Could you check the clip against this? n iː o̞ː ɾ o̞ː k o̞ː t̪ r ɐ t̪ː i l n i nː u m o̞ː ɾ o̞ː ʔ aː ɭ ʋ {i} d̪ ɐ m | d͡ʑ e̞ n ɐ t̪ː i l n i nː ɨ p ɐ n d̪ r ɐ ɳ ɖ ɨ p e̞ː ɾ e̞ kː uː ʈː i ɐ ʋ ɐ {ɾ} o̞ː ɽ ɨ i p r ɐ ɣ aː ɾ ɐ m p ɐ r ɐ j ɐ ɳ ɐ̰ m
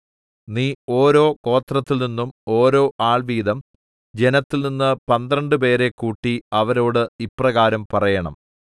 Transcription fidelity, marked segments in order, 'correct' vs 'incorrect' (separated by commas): incorrect, correct